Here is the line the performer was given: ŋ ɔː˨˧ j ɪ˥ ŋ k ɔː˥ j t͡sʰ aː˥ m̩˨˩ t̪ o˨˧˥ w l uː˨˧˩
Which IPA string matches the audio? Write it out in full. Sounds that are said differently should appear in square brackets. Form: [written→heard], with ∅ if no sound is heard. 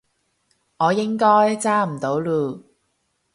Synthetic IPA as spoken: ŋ ɔː˨˧ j ɪ˥ ŋ k ɔː˥ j [t͡sʰ→t͡s] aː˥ m̩˨˩ t̪ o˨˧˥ w l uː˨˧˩